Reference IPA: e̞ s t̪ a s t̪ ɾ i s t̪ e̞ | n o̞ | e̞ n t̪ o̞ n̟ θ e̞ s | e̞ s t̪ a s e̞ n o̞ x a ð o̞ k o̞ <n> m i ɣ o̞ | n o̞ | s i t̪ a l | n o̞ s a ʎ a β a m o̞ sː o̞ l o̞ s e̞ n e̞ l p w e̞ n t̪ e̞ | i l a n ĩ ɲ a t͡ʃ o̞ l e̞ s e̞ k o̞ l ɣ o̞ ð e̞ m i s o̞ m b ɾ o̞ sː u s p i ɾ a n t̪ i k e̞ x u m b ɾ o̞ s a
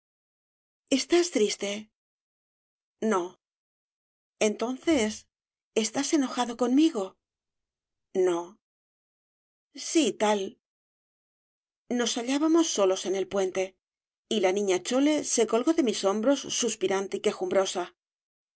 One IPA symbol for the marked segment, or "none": n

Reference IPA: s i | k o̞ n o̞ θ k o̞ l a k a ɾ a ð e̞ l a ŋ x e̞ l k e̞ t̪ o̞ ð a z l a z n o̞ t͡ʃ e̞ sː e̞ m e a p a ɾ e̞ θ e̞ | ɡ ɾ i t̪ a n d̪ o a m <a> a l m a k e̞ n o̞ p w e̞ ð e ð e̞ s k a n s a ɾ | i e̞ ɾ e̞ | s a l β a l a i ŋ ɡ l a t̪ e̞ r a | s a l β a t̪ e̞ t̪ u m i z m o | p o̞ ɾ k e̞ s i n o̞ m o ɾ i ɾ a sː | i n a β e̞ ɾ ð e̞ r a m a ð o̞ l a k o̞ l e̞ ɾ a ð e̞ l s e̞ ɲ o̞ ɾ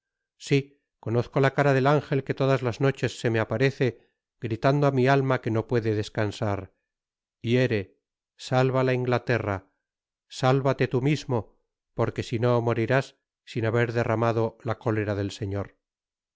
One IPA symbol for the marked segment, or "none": i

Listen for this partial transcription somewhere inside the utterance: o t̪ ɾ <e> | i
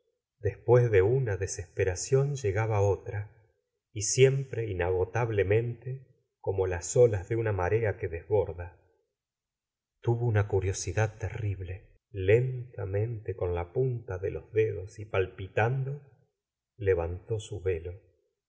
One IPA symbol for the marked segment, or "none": a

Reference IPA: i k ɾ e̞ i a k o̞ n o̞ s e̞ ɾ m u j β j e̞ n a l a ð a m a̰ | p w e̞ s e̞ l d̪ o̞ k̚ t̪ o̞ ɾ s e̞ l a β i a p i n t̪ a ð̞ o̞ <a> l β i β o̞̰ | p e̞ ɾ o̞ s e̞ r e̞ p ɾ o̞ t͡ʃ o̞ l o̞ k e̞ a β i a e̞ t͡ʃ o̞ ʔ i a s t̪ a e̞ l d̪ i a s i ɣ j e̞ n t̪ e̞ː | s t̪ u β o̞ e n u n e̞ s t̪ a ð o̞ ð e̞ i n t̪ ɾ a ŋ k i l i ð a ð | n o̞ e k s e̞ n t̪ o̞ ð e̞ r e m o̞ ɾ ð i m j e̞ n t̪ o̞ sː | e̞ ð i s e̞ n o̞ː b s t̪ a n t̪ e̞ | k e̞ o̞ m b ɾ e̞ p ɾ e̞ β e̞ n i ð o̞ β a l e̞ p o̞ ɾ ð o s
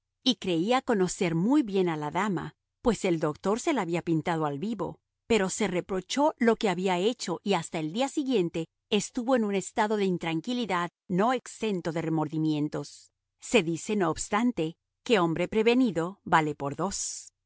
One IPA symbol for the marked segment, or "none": a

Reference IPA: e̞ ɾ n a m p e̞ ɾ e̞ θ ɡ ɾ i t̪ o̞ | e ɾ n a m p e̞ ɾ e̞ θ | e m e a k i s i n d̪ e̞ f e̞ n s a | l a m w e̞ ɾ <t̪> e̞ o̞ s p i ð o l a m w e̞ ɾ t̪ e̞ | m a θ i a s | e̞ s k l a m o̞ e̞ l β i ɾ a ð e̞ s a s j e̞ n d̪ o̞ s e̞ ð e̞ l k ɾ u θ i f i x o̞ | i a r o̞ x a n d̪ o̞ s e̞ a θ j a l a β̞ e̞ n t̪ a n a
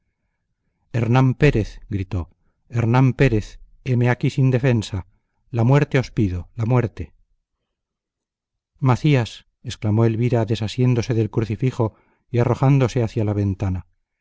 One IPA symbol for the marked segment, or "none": t̪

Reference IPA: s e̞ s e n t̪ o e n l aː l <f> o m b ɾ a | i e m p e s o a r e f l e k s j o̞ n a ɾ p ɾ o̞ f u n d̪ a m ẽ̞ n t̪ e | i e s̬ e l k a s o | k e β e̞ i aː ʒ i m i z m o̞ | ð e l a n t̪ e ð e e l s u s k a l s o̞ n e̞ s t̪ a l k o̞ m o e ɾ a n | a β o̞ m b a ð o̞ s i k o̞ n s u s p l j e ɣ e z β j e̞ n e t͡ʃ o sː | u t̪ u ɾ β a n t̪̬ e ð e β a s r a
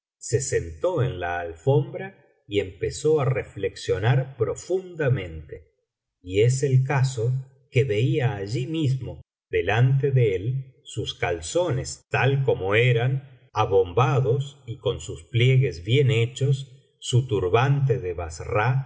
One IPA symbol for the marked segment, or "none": f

